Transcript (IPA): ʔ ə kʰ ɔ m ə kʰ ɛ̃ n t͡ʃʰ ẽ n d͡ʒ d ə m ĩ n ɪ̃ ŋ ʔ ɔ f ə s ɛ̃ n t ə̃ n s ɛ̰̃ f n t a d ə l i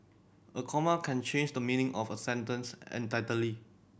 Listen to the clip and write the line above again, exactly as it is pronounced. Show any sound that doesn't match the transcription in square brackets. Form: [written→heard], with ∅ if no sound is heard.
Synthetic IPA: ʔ ə kʰ ɔ m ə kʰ ɛ̃ n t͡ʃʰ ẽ n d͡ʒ d ə m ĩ n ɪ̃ ŋ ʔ ɔ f ə s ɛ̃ n t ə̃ n s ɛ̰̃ [f→∅] n t a [d→t] ə l i